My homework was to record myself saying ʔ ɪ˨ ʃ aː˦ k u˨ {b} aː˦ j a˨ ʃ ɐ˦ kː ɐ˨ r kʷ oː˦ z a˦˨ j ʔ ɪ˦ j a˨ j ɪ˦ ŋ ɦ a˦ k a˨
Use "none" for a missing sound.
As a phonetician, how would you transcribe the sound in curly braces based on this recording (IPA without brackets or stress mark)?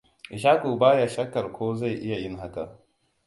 b